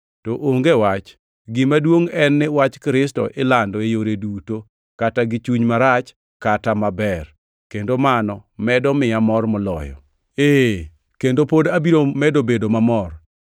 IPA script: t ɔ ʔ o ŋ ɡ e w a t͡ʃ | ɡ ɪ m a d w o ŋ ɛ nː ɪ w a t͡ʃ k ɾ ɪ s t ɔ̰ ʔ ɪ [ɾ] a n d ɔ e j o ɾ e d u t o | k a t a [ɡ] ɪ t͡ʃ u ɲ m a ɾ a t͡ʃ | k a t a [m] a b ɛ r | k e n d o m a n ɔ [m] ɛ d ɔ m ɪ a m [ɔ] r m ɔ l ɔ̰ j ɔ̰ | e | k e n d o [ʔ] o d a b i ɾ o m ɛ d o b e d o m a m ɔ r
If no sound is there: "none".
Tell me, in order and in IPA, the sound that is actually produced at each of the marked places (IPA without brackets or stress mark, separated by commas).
l, ɡ, m, m, ɔ, p